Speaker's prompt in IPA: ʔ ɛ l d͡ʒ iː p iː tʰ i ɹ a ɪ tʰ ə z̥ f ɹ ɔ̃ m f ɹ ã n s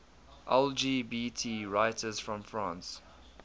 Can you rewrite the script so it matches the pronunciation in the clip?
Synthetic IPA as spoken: ʔ ɛ l d͡ʒ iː b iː tʰ i ɹ a ɪ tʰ ə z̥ f ɹ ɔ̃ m f ɹ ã n s